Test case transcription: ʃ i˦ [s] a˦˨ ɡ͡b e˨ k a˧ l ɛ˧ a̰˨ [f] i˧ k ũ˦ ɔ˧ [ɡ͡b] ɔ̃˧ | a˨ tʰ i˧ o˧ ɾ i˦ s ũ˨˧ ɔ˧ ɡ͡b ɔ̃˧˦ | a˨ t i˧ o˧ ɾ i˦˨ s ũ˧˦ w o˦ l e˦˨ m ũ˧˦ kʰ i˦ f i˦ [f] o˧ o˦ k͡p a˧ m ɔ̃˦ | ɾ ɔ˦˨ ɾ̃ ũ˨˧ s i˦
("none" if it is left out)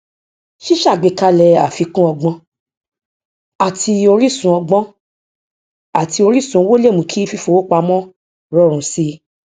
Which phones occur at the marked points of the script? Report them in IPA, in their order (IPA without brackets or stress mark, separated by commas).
ʃ, f, ɡ͡b, f